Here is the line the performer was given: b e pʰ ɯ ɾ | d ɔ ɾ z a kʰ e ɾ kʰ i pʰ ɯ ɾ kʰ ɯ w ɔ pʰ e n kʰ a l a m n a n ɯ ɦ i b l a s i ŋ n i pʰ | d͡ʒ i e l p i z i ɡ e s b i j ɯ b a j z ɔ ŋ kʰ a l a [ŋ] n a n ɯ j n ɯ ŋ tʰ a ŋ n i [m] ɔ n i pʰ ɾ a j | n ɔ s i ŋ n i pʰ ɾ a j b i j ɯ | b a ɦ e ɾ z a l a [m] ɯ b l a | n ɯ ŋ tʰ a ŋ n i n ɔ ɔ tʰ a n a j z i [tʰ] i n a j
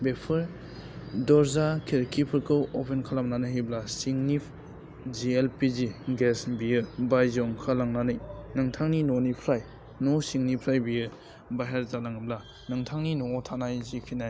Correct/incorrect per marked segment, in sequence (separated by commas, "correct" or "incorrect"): correct, incorrect, incorrect, incorrect